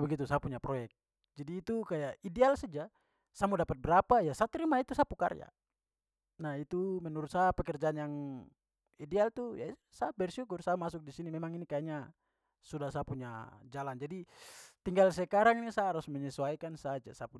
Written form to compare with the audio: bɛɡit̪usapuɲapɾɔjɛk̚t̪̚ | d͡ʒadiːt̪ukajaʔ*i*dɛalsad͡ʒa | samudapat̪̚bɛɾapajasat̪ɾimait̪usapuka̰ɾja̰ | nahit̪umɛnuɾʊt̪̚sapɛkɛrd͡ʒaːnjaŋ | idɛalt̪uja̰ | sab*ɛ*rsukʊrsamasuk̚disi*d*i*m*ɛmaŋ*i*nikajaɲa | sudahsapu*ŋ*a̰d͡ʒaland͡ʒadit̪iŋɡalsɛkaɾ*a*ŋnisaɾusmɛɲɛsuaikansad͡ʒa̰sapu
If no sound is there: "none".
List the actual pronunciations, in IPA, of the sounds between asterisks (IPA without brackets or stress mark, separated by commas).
i, ɛ, n, m, i, ɲ, a